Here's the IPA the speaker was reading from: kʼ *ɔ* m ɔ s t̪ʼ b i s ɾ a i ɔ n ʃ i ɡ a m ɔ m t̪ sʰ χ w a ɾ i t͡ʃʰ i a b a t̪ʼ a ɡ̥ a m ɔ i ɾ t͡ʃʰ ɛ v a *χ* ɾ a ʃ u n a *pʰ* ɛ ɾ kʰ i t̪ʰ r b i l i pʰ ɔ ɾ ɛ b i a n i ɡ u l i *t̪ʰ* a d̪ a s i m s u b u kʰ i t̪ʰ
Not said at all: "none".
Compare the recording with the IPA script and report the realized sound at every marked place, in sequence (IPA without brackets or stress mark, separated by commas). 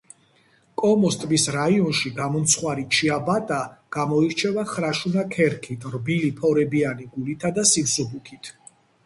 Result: ɔ, χ, kʰ, t̪ʰ